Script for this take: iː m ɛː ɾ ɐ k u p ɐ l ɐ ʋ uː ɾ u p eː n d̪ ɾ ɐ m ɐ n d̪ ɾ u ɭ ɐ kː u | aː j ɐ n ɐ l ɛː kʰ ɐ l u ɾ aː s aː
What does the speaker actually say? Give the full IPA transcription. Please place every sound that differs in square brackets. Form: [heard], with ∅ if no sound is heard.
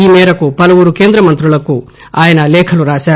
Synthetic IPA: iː m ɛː ɾ ɐ k u p ɐ l ɐ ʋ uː ɾ u [k] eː n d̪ ɾ ɐ m ɐ n [t̪] ɾ u ɭ ɐ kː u | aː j ɐ n ɐ l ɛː kʰ ɐ l u ɾ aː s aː